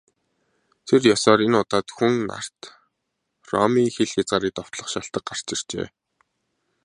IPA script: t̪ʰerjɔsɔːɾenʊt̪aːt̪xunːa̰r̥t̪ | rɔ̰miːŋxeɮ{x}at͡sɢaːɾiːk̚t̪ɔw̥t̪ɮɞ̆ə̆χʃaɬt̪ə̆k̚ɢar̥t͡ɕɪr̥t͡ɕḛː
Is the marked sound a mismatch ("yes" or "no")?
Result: no